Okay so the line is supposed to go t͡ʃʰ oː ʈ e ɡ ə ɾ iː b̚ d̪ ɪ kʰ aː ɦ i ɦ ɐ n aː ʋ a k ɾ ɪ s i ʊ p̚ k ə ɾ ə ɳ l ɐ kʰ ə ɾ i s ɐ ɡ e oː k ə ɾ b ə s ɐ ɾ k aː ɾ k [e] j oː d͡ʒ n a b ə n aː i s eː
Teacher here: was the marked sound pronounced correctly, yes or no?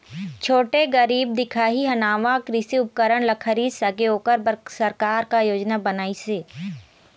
no